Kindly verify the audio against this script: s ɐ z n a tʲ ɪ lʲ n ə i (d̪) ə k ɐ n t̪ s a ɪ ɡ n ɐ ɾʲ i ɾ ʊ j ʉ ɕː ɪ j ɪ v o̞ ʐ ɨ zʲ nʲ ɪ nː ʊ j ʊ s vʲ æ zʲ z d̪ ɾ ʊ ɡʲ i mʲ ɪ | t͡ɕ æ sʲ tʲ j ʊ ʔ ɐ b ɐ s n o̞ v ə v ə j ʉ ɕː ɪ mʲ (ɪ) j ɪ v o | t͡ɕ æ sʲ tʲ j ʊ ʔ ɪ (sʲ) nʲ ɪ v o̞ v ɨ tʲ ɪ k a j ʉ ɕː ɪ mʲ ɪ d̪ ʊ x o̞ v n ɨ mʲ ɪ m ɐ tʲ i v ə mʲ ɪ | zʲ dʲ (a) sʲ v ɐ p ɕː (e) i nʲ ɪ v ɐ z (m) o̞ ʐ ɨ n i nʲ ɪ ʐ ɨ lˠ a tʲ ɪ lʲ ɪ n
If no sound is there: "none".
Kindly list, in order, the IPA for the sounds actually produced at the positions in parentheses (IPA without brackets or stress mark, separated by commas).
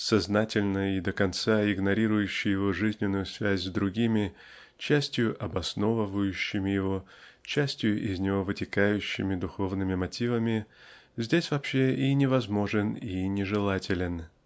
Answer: d̪, ɪ, zʲ, e, e, m